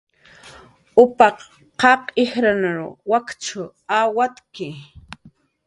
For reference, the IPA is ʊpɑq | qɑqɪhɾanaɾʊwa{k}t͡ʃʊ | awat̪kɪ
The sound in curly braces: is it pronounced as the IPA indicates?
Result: yes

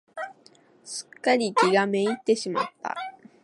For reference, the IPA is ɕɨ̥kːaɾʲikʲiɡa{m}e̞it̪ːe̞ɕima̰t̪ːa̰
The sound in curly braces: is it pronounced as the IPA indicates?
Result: yes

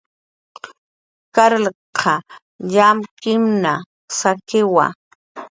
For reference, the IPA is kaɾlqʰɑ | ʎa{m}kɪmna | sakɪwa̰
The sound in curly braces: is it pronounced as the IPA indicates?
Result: yes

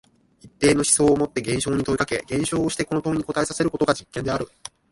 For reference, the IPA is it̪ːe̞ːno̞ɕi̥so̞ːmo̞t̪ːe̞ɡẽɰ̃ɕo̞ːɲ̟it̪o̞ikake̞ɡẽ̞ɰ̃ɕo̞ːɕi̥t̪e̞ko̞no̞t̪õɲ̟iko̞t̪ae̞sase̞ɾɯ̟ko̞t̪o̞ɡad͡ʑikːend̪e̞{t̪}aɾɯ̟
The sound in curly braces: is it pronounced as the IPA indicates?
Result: no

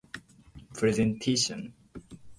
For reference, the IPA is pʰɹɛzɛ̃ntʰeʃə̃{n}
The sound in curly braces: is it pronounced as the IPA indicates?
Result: yes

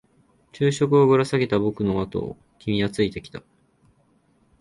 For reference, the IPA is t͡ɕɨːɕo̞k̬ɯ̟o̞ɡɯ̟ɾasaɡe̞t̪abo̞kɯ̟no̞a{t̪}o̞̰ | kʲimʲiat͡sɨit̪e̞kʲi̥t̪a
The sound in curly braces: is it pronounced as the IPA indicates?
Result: yes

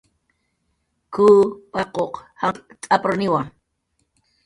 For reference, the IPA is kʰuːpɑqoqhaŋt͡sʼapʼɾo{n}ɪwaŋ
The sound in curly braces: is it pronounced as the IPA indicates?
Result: yes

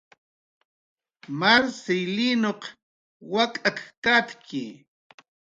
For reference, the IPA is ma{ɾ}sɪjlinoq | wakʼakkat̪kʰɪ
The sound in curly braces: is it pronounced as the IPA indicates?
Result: yes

